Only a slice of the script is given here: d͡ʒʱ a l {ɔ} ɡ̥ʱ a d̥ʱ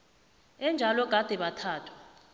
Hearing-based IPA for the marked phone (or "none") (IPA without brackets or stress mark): ɔ